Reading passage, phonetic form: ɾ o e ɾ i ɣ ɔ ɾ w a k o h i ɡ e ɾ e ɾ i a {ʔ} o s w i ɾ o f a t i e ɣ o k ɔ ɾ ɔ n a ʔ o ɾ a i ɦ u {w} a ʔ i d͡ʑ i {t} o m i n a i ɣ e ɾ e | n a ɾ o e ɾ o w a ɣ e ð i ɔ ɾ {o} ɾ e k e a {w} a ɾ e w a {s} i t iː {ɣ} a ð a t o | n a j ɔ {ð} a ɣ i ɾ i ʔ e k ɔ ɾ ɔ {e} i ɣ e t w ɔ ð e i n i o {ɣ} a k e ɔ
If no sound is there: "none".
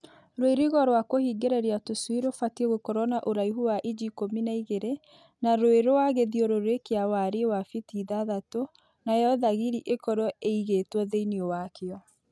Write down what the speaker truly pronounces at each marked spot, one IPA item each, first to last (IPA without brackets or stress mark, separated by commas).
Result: t, w, k, o, w, f, ð, ð, e, w